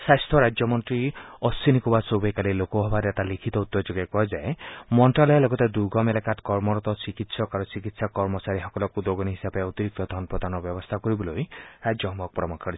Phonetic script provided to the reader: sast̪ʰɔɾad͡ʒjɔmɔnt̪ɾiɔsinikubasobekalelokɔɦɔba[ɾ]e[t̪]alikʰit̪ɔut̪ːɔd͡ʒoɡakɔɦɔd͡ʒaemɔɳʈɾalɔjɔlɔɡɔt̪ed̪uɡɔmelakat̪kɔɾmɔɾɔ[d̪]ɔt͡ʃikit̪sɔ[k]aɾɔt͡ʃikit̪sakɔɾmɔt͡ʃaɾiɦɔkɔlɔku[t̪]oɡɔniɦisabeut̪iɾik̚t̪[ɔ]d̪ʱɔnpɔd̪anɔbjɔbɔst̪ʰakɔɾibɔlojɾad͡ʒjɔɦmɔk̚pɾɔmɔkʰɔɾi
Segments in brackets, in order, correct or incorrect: correct, correct, incorrect, correct, incorrect, correct

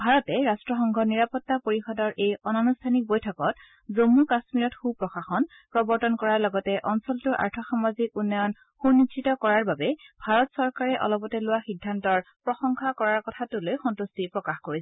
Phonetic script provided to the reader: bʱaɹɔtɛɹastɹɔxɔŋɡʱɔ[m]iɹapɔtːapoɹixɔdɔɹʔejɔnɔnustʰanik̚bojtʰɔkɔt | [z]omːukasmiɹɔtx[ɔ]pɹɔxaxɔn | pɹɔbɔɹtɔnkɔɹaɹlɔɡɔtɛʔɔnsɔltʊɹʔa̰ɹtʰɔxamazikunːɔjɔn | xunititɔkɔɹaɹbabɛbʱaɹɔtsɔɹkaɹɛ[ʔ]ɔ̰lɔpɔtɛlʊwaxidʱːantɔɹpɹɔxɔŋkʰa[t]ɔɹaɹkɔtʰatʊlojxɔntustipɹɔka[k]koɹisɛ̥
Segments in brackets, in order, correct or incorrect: incorrect, correct, incorrect, correct, incorrect, incorrect

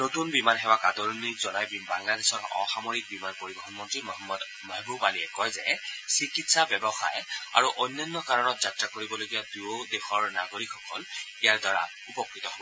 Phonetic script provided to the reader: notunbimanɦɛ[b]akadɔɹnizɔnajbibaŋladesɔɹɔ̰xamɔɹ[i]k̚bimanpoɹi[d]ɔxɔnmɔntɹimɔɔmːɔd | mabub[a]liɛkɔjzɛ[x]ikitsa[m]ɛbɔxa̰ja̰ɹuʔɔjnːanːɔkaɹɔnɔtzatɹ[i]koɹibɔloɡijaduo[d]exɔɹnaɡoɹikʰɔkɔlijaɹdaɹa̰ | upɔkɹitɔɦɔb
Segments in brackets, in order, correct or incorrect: incorrect, correct, incorrect, correct, incorrect, incorrect, incorrect, correct

